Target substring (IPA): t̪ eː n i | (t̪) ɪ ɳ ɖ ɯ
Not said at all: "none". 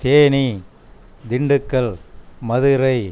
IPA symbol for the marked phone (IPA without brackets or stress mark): d̪